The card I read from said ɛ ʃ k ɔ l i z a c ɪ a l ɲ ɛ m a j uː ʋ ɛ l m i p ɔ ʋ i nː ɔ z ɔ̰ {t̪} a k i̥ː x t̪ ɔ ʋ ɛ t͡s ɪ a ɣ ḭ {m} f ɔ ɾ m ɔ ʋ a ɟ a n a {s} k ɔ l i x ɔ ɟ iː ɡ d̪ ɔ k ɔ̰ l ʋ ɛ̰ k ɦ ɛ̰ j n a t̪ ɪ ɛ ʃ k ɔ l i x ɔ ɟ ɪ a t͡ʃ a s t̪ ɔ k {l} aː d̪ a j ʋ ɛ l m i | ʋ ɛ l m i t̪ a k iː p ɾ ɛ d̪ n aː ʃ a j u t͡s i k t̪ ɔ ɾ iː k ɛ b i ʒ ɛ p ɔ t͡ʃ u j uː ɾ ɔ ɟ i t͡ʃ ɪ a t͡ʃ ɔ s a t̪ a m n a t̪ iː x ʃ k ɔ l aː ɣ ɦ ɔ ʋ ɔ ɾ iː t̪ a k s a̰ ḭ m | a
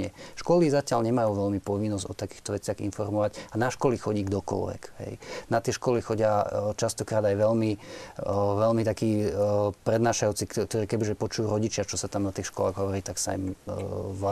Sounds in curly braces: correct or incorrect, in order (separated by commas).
correct, incorrect, incorrect, incorrect